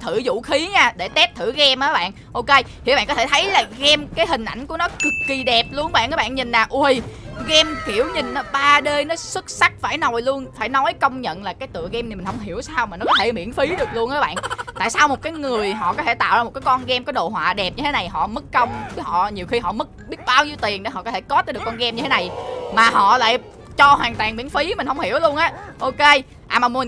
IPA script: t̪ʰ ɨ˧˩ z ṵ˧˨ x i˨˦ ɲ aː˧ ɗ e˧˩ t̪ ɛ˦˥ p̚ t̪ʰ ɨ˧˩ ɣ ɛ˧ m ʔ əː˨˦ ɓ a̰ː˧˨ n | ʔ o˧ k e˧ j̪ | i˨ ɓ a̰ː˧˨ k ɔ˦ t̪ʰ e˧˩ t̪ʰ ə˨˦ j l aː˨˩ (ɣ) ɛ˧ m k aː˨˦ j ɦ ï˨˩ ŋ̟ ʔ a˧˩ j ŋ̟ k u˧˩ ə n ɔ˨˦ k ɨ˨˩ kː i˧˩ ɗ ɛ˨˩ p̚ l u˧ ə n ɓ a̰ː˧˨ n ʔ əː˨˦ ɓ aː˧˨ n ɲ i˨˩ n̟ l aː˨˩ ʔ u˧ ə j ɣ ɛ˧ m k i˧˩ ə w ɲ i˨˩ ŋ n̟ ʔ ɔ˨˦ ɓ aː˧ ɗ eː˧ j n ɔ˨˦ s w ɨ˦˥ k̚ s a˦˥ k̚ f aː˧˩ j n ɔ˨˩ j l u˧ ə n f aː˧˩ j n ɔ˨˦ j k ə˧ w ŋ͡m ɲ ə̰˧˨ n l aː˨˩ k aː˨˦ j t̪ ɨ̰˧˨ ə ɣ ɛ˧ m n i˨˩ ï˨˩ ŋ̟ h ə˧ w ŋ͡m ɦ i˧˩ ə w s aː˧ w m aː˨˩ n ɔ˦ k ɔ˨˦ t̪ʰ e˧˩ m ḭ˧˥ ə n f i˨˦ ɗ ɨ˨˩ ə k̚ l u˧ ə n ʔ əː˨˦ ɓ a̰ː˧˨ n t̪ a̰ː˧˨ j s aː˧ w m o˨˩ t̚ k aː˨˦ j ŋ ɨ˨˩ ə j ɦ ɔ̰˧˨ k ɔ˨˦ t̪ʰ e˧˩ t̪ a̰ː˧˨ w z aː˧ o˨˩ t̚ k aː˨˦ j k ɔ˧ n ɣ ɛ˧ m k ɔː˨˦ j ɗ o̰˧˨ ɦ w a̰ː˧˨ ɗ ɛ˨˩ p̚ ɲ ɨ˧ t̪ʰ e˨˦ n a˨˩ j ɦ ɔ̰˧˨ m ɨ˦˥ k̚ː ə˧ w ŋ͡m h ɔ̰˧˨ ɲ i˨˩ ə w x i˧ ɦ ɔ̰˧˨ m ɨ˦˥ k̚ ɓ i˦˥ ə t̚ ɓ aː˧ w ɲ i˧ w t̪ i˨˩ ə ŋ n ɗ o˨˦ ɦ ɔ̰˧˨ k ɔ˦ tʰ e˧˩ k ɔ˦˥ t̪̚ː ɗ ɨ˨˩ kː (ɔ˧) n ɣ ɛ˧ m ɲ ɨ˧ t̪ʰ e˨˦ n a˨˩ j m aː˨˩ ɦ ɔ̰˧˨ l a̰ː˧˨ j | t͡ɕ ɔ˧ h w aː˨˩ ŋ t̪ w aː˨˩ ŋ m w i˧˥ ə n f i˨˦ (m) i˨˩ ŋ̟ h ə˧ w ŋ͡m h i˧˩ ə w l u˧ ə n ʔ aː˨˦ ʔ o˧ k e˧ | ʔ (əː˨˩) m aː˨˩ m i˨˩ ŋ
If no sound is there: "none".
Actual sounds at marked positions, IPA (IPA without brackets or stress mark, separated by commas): ɣ, ɔ˧, m, aː˨˩